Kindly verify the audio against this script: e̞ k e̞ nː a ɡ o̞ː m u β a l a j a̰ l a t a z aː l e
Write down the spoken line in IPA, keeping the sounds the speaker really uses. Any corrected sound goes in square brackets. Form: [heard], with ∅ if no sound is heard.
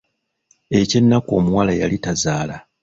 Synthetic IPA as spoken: e̞ [c] e̞ nː a [k] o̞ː m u [w] a l a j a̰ l [i] t a z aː l [a]